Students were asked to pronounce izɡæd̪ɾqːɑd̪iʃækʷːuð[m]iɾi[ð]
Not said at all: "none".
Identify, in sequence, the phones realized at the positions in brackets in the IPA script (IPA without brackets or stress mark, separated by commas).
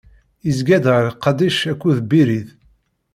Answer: b, ð